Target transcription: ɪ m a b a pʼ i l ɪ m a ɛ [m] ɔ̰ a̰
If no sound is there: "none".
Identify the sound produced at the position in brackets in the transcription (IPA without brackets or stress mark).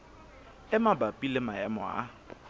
m